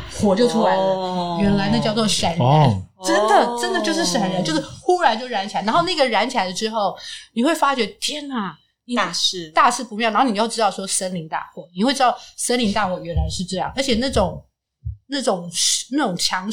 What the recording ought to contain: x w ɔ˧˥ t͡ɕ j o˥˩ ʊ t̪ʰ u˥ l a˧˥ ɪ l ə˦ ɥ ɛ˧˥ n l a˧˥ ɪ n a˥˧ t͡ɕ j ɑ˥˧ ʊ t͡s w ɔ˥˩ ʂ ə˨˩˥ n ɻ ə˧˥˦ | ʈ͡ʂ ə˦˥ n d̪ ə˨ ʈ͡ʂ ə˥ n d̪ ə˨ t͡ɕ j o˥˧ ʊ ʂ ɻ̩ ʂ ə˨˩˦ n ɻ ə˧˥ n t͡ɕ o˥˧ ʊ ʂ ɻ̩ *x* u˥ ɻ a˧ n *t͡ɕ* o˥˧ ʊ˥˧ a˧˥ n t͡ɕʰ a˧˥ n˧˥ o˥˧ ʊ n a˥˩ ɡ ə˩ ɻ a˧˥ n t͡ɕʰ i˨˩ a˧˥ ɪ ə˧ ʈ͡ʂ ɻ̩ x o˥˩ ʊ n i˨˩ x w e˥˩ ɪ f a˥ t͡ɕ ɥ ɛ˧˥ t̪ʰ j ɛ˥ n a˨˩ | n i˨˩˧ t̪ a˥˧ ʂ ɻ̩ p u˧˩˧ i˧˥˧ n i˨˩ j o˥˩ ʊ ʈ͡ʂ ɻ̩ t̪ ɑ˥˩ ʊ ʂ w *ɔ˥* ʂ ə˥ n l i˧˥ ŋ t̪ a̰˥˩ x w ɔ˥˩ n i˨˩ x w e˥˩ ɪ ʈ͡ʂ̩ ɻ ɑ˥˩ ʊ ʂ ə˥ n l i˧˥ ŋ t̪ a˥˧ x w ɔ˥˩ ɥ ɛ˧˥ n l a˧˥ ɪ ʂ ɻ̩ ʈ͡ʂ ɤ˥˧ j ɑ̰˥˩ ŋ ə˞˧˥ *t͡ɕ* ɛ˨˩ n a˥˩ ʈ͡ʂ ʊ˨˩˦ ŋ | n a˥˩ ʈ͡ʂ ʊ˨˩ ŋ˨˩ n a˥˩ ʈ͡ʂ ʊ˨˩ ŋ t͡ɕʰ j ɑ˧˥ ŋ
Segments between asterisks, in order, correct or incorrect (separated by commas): correct, correct, correct, incorrect